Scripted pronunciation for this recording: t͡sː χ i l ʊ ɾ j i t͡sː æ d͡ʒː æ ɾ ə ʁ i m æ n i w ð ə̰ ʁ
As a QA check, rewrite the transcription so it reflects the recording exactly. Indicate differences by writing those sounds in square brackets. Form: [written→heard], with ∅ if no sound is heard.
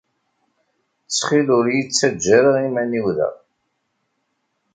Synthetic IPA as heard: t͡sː χ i l ʊ ɾ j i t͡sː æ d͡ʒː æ ɾ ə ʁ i m æ n i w ð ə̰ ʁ